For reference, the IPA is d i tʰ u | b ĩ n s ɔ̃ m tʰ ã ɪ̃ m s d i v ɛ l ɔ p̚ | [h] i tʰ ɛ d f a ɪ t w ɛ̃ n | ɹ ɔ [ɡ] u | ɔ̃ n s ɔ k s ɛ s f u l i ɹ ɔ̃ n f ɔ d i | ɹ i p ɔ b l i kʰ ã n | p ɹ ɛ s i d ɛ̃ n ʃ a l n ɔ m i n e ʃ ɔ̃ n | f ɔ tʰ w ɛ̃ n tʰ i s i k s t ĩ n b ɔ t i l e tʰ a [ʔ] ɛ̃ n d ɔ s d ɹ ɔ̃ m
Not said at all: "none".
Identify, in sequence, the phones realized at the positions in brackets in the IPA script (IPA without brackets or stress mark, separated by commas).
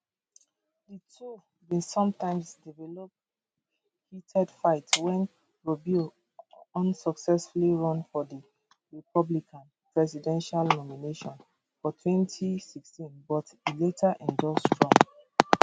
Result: h, b, ʔ